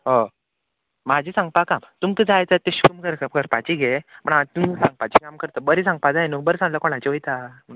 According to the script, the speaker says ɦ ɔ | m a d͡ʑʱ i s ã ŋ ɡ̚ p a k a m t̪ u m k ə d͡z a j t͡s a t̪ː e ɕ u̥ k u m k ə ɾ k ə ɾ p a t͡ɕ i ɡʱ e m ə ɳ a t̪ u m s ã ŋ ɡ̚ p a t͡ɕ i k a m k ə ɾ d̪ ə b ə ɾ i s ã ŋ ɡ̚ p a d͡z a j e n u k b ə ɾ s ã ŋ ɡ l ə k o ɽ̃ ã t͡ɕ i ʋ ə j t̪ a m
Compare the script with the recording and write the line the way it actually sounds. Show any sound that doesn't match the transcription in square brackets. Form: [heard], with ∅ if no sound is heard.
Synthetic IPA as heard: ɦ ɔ | m a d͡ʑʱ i s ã ŋ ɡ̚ p a k a m t̪ u m k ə d͡z a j t͡s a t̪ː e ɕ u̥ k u m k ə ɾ k ə ɾ p a t͡ɕ i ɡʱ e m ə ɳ a t̪ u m s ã ŋ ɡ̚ p a t͡ɕ i k a m k ə ɾ [t̪] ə b ə ɾ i s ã ŋ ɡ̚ p a d͡z a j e n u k b ə ɾ s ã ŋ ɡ l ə k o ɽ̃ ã t͡ɕ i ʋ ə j t̪ a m